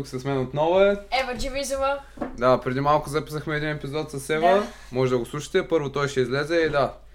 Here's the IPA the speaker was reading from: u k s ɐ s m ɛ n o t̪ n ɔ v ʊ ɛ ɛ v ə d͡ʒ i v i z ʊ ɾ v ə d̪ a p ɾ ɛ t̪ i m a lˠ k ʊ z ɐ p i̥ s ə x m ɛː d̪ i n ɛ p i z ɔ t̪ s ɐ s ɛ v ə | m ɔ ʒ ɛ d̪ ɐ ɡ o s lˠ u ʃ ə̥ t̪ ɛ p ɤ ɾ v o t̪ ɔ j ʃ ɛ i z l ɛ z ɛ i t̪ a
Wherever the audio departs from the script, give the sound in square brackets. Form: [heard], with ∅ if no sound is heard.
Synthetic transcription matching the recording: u k s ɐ s m ɛ n o t̪ n ɔ v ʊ ɛ ɛ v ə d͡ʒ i v i z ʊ [∅] v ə d̪ a p ɾ ɛ [d̪] i m a lˠ k ʊ z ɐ p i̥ s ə x m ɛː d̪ i n ɛ p i z ɔ t̪ s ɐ s ɛ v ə | m ɔ ʒ ɛ d̪ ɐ ɡ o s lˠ u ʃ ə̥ t̪ ɛ p ɤ ɾ v o t̪ ɔ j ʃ ɛ i z l ɛ z ɛ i [d̪] a